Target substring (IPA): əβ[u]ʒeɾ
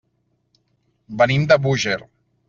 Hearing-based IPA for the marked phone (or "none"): u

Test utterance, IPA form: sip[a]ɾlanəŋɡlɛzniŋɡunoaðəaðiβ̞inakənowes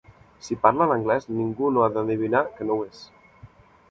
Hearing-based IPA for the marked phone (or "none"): a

